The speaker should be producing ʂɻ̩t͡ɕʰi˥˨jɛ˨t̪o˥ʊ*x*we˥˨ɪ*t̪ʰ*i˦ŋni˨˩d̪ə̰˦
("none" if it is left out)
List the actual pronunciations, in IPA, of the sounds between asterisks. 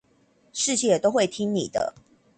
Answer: x, t̪ʰ

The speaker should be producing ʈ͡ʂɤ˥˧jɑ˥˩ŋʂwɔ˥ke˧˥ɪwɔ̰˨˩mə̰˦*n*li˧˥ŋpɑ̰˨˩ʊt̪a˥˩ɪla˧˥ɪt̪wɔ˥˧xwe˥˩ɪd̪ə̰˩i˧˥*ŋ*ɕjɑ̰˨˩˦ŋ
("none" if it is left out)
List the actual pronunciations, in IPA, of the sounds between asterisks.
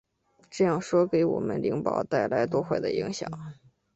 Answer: n, ŋ

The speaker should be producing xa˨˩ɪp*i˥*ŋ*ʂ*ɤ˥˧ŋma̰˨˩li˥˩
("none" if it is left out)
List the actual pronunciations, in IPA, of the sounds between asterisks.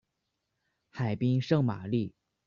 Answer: i˥, ʂ

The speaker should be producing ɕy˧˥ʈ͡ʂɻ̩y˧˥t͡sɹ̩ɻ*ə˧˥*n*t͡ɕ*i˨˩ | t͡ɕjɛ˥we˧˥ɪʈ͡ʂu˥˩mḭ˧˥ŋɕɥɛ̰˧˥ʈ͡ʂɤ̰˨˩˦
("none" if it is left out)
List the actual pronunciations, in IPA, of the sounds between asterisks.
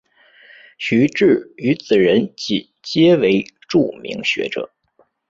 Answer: ə˧˥, t͡ɕ

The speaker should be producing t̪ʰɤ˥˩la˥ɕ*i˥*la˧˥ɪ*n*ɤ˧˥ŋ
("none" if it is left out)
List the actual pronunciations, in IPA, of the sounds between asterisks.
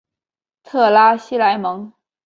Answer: i˥, m

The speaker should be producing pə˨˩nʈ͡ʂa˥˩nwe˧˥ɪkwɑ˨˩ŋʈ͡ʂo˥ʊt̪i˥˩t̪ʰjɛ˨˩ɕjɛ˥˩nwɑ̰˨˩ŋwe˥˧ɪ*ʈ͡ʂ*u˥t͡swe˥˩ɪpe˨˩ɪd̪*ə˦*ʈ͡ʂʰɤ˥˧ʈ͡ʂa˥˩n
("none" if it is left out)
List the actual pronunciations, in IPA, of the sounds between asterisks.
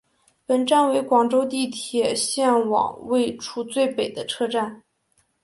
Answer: ʈ͡ʂʰ, ə˦

